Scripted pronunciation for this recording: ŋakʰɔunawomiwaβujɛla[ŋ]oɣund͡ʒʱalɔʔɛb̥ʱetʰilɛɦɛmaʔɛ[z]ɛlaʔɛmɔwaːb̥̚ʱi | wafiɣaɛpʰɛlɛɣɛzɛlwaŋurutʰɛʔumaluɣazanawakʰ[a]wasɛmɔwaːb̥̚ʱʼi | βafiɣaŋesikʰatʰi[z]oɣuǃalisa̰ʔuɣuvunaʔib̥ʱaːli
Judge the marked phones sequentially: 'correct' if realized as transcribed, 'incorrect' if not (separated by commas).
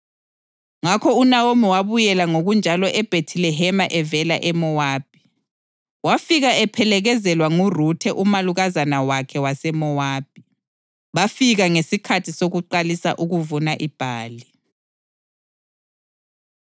correct, incorrect, incorrect, incorrect